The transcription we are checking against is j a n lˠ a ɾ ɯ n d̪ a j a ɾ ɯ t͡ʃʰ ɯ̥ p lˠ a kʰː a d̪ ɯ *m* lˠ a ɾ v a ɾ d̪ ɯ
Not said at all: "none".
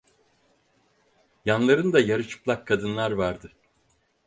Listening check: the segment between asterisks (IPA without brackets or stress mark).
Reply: n